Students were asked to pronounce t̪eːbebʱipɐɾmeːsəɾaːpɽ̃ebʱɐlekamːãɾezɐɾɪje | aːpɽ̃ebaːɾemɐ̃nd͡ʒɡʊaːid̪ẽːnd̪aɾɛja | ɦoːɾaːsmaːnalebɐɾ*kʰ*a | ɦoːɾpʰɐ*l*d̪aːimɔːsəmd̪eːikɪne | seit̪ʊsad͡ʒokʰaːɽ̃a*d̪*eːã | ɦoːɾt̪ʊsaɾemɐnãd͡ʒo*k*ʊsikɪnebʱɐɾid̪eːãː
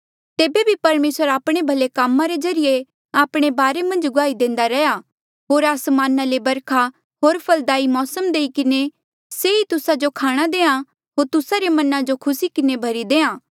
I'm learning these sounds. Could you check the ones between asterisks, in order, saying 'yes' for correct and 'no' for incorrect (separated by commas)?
yes, yes, yes, no